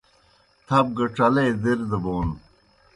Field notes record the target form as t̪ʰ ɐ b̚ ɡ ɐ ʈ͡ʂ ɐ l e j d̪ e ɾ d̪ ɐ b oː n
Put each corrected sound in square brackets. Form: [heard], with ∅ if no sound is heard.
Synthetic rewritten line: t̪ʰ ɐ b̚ ɡ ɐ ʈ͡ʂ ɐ l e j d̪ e ɾ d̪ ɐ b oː n